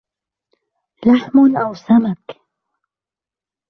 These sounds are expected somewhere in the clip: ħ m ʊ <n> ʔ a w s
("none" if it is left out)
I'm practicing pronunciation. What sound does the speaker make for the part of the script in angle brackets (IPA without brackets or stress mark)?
n